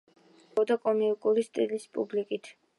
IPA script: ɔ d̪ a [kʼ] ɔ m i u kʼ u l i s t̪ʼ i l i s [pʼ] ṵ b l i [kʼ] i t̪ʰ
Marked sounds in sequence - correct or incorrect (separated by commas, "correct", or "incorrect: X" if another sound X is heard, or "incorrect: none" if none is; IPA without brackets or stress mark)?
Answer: correct, correct, correct